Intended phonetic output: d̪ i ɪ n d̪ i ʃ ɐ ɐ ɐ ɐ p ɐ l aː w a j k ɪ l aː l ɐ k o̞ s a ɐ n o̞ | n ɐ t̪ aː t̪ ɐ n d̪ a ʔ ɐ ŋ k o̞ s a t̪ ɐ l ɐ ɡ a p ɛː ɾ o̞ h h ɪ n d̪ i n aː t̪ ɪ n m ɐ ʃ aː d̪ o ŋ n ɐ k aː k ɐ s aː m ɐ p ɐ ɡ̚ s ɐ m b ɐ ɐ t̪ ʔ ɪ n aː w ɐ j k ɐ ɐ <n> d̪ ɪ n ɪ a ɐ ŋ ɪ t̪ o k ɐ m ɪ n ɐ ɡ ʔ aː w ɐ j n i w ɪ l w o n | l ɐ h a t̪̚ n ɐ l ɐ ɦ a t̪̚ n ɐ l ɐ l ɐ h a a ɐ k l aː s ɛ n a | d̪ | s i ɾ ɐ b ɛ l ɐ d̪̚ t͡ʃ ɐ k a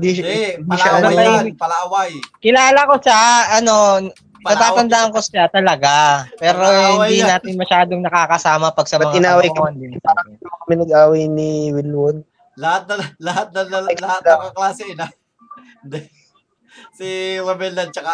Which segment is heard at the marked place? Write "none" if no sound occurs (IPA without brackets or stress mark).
n